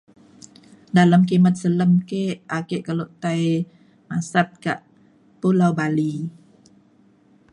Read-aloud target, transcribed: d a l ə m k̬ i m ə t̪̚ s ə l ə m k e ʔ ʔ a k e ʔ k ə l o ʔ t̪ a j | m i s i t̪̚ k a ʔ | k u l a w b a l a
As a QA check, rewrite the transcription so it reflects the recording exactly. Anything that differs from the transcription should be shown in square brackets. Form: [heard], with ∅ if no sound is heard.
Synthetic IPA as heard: d a l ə m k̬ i m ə t̪̚ s ə l ə m k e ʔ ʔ a k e ʔ k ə l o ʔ t̪ a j | m [a] s [a] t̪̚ k a ʔ | [p] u l a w b a l [i]